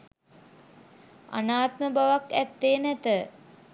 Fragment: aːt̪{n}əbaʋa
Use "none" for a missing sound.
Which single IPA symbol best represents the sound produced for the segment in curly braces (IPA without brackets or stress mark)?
m